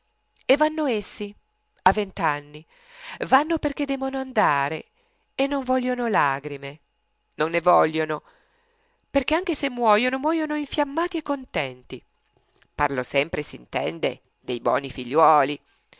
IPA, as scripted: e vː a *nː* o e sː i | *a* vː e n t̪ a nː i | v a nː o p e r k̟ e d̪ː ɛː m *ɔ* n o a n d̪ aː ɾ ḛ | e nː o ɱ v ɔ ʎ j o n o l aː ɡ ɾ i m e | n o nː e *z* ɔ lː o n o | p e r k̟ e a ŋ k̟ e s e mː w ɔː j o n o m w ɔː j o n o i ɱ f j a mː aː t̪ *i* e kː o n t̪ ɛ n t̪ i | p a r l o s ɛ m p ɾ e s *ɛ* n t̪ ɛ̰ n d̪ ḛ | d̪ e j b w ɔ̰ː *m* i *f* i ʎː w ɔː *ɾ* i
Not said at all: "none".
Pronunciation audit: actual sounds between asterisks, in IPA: nː, a, o, v, i, i, n, f, l

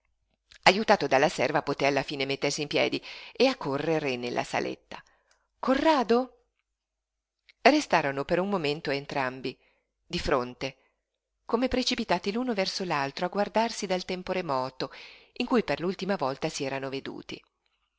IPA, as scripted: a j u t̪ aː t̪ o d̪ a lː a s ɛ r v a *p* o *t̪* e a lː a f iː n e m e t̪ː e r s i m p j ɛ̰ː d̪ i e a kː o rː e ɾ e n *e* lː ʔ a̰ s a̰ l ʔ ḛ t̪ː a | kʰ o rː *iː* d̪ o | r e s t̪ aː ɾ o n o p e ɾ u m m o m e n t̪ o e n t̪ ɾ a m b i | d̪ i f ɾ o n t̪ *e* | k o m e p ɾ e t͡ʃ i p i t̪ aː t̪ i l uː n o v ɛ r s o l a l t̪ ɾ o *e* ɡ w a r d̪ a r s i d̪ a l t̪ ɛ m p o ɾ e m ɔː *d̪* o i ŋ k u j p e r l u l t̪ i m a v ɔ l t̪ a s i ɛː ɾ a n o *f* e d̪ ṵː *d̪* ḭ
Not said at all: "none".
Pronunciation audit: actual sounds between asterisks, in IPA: p, t̪, e, aː, e, a, t̪, v, t̪

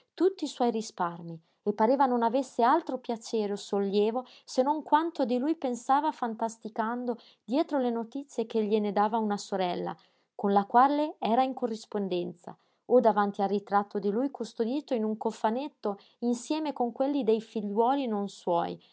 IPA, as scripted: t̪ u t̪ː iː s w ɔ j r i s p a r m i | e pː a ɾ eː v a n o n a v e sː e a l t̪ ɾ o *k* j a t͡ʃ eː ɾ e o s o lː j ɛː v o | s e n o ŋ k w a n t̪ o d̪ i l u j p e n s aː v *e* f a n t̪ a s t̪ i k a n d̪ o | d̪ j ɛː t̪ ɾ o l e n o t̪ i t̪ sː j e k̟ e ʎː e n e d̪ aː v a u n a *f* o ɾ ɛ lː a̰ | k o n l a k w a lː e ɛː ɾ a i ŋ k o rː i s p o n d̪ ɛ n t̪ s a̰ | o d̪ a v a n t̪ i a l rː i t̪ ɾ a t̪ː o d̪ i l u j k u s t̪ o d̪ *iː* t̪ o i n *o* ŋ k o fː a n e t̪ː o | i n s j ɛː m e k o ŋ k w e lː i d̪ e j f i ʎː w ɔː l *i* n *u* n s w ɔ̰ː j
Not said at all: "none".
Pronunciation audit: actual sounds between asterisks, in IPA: p, a, s, iː, u, i, o

